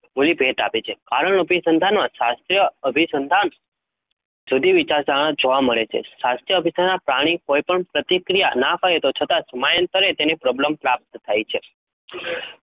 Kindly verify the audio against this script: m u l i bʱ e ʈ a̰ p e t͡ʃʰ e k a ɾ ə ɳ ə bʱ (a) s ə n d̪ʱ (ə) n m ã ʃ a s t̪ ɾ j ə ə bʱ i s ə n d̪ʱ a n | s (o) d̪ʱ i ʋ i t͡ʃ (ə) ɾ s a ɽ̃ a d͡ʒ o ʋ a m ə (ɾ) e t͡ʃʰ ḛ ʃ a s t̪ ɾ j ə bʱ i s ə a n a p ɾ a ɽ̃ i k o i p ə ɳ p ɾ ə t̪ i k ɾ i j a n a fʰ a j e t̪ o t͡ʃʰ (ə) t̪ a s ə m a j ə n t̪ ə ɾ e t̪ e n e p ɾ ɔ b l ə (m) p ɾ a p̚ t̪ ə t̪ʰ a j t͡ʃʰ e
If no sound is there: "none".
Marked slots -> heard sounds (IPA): i, a, u, a, ɭ, ə, m

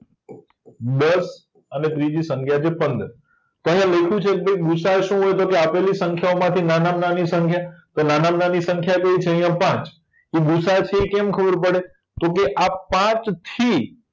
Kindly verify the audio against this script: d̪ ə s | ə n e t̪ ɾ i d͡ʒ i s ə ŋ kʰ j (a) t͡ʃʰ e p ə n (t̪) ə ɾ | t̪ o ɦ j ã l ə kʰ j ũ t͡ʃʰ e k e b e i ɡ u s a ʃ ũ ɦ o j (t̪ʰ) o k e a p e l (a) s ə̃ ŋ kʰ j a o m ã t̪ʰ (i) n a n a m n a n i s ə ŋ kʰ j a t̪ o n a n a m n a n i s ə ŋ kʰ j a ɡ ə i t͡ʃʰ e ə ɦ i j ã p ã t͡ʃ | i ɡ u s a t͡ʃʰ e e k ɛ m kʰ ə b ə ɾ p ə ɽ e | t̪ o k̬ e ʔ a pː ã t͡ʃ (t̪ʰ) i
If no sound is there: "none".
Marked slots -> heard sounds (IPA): a, d̪, t̪, i, i, t̪ʰ

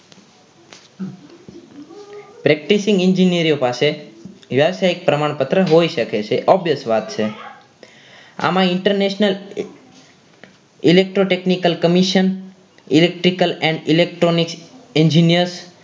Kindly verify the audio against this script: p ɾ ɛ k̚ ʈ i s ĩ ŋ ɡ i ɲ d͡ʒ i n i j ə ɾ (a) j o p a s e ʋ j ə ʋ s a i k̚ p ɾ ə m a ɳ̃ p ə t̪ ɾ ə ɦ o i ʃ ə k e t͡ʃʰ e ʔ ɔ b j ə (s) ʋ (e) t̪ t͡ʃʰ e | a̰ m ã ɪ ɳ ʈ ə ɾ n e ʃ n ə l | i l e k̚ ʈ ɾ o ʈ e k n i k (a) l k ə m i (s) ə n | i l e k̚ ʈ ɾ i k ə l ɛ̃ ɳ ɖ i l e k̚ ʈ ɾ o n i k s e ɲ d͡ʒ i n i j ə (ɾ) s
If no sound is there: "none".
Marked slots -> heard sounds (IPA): i, s, a, ə, ʃ, ɾ

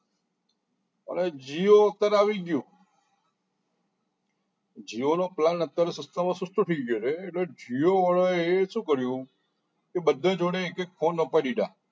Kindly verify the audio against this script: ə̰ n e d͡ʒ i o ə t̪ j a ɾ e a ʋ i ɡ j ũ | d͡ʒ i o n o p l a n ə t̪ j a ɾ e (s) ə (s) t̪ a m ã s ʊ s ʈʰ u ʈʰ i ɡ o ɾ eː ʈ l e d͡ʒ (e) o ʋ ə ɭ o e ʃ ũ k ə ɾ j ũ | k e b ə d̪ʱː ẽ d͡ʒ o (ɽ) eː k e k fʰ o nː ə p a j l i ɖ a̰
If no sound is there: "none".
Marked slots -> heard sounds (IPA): s, s, i, ɽ

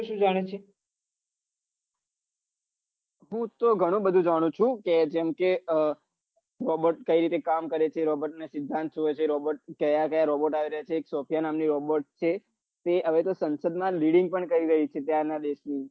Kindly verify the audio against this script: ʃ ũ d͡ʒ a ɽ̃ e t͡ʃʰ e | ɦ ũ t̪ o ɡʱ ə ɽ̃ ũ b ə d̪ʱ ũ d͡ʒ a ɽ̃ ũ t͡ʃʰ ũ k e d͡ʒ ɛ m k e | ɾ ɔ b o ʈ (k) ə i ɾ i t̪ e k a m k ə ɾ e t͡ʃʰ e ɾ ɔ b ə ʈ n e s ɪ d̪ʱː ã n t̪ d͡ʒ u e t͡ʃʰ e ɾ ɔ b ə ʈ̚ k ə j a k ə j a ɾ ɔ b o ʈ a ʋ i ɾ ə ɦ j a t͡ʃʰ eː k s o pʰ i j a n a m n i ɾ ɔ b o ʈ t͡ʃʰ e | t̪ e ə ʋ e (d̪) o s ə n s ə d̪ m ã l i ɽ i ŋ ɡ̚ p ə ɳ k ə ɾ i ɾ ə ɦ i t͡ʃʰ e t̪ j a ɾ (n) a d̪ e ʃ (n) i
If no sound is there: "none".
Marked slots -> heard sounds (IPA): k, t̪, n, n

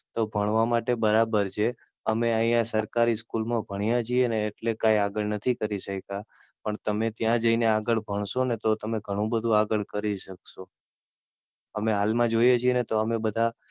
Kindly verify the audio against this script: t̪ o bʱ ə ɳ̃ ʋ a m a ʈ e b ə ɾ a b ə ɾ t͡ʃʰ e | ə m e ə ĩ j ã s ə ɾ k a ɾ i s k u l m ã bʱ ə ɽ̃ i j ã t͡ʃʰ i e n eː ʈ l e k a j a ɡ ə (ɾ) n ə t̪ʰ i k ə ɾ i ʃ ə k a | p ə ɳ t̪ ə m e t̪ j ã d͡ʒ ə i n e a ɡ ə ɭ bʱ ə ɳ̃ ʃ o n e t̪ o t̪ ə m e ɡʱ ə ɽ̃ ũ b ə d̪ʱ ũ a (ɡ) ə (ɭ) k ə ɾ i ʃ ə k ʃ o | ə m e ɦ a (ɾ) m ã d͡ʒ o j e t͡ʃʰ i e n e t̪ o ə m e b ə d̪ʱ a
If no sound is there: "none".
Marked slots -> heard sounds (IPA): ɭ, ɡ, ɭ, l

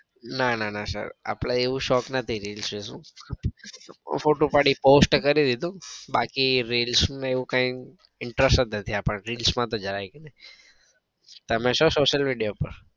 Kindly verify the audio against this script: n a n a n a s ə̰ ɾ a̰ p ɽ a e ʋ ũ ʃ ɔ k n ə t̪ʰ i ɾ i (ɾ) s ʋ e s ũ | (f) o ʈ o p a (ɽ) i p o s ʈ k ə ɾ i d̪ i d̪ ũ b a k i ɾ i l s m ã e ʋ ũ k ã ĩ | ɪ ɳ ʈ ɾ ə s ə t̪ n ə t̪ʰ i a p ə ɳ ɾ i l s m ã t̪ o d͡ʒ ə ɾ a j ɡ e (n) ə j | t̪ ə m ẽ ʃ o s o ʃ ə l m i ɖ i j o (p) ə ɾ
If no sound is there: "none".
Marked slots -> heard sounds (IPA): l, f, ɽ, n, p

